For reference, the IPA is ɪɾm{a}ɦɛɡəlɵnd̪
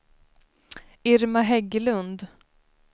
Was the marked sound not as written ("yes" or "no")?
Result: no